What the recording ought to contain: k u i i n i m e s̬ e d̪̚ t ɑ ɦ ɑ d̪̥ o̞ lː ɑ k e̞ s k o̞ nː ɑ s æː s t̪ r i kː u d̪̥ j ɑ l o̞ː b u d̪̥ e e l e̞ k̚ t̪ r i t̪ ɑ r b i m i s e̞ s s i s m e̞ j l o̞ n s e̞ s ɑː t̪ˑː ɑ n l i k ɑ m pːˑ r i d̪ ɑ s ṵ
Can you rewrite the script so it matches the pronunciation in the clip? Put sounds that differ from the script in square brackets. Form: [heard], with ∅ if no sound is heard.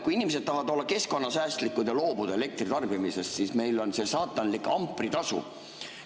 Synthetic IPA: k u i i n i m e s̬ e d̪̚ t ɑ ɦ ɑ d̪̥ o̞ lː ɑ k e̞ s k o̞ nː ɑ s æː s t̪ [l] i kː u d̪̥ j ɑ l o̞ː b u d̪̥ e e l e̞ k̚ t̪ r i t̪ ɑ r b i m i s e̞ s s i s m e̞ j l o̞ n s e̞ s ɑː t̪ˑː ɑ n l i k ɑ m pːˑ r i [t̪] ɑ s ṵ